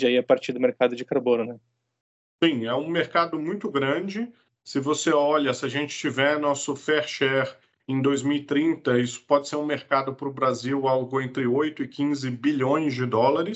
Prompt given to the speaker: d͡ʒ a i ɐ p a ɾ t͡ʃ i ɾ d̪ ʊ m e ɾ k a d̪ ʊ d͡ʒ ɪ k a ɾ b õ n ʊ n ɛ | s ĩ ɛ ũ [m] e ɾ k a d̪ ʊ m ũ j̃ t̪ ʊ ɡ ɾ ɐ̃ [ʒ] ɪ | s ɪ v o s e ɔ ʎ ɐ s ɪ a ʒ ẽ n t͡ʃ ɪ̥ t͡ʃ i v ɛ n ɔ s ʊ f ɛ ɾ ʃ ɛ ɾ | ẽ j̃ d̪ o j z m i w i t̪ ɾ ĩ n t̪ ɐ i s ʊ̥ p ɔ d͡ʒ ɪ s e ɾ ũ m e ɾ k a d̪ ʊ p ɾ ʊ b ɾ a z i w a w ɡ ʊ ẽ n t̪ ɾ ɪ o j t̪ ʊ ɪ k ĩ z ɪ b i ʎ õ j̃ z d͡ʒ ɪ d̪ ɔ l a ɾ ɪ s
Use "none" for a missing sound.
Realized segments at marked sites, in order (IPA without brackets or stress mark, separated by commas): m, d͡ʒ